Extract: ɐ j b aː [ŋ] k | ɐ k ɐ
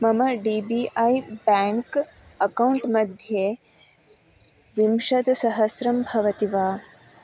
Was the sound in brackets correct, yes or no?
yes